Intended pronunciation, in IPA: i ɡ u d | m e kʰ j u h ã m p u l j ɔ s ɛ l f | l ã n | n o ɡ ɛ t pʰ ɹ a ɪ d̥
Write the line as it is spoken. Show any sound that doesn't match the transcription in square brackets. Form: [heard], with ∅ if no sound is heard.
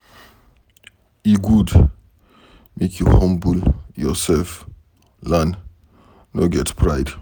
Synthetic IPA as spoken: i ɡ u d | m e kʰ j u h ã m [b] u l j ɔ s ɛ l f | l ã n | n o ɡ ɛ t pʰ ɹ a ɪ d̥